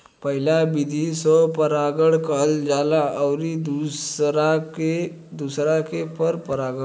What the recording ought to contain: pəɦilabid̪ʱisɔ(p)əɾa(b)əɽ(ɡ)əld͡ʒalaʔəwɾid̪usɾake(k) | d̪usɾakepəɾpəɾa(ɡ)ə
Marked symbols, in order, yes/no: yes, no, no, no, yes

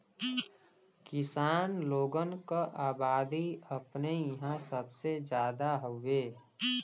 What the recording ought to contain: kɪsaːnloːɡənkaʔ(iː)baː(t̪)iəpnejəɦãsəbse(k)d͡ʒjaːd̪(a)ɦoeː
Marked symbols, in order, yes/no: no, no, no, yes

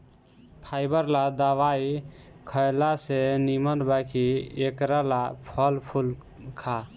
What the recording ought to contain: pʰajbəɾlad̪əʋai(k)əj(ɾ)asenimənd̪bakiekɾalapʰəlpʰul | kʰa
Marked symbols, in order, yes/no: no, no

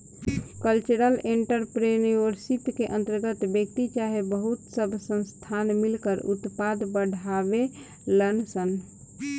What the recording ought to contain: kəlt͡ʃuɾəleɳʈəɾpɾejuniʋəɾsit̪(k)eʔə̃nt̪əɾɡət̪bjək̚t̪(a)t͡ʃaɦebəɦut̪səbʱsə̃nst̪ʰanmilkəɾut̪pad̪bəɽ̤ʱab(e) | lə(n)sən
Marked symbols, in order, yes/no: yes, no, yes, yes

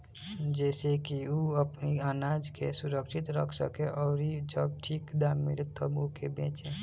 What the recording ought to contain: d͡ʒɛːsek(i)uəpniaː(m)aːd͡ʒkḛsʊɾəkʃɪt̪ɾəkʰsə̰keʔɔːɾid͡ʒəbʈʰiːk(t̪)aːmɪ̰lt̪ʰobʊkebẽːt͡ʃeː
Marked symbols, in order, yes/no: yes, no, no

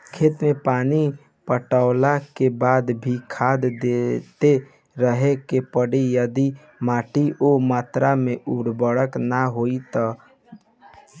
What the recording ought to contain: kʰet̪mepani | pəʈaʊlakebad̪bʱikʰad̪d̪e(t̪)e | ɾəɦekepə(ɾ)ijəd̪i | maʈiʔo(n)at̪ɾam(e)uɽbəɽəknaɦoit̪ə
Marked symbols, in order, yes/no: yes, no, no, yes

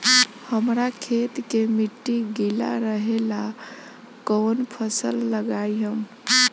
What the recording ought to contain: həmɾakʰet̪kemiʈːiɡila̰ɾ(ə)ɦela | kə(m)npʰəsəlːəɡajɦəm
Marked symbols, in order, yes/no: yes, no

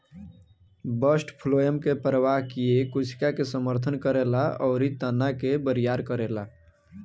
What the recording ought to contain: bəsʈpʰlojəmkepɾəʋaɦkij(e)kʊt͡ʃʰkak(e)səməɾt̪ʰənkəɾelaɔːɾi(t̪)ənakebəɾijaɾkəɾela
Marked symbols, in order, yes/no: yes, yes, yes

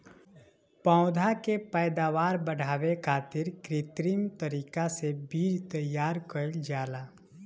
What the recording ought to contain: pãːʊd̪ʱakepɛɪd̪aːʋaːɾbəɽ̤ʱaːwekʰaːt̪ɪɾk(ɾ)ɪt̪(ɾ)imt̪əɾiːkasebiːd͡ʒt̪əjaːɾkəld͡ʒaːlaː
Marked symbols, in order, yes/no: yes, yes

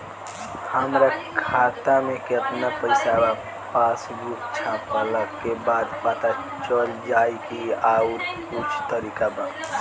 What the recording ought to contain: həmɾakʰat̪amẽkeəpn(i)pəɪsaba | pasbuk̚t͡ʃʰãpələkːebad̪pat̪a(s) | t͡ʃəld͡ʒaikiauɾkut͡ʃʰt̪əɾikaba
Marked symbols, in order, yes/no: no, no

